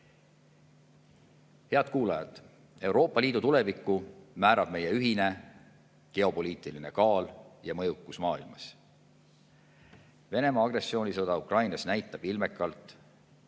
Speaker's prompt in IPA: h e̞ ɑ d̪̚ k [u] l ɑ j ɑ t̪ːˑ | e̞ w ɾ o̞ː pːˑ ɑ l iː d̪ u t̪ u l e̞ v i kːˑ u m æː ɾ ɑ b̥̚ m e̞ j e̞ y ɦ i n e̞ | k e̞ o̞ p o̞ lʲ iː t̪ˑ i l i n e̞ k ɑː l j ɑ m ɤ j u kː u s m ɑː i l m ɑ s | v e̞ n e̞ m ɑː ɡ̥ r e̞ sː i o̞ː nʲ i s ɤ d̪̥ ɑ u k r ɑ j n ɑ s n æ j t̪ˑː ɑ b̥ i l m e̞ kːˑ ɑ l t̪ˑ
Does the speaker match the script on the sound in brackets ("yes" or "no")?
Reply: no